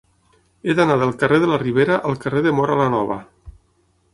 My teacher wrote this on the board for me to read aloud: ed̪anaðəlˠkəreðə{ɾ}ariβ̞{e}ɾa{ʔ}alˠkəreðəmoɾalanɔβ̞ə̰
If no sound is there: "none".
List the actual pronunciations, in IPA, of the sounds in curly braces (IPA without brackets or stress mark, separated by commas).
l, e, ʔ